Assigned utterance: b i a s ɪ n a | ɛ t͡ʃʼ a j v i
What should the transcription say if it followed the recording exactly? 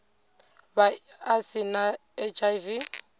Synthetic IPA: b a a s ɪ n a | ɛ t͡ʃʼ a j v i